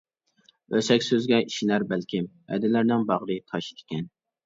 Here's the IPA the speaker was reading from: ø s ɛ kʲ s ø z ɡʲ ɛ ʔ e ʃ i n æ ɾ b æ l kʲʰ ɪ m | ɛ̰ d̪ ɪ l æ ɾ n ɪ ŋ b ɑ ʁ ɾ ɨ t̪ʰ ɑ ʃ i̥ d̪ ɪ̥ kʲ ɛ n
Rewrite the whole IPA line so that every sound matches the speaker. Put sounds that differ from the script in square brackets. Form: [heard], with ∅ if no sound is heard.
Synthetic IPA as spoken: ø s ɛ kʲ s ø z ɡʲ ɛ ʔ [i] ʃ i n æ ɾ b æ l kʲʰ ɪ m | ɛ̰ d̪ ɪ l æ ɾ n ɪ ŋ b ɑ ʁ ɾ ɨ t̪ʰ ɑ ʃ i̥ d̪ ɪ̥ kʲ ɛ n